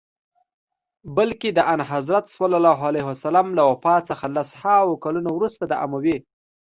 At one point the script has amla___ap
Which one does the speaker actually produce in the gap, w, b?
w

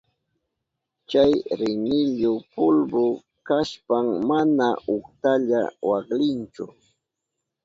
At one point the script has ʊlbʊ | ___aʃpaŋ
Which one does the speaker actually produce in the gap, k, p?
k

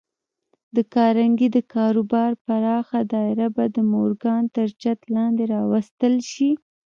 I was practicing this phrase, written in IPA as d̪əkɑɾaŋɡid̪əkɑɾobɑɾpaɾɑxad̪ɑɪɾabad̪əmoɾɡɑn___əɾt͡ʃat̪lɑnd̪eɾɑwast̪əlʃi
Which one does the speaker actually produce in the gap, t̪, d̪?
t̪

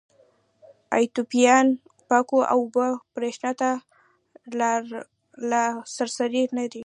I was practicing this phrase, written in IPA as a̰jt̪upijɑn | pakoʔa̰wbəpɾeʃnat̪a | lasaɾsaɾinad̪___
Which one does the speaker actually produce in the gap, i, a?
i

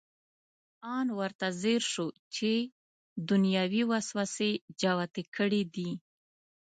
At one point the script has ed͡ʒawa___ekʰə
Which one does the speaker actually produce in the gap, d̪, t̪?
t̪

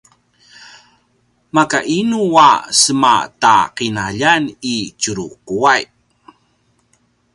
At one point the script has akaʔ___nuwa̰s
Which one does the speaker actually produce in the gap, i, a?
i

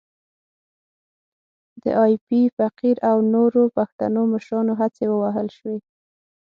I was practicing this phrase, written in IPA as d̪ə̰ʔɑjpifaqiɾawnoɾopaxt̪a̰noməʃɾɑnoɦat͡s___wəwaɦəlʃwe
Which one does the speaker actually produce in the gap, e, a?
e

